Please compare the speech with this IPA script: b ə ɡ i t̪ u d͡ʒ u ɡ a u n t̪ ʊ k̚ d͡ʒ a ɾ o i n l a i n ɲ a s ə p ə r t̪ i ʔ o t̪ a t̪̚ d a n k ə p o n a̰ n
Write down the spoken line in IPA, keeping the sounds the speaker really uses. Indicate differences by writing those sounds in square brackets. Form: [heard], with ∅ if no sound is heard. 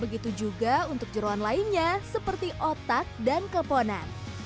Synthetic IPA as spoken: b ə ɡ i t̪ u d͡ʒ u ɡ a u n t̪ ʊ k̚ d͡ʒ [ə] ɾ o [a] n l a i n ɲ a s ə p ə r t̪ i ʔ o t̪ a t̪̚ d a n k ə p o n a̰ n